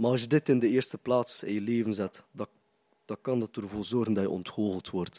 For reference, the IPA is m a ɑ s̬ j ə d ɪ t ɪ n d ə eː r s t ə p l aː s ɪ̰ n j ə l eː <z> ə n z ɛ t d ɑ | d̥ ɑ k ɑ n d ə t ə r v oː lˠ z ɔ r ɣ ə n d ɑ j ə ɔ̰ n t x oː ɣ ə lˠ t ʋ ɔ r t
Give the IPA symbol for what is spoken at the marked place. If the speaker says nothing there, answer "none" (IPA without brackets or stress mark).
v